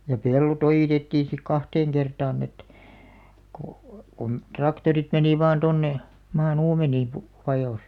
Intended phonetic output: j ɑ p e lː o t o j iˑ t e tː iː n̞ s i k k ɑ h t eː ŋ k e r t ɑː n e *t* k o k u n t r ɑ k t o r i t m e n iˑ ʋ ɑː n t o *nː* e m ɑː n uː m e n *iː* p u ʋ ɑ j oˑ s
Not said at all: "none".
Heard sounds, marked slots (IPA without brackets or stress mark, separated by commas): t, nː, iː